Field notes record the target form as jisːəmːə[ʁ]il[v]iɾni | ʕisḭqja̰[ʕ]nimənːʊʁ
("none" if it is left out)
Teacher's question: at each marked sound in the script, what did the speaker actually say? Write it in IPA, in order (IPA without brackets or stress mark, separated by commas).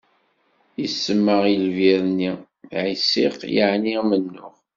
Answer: ʁ, v, ʕ